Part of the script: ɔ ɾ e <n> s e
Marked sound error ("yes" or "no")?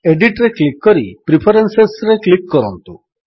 no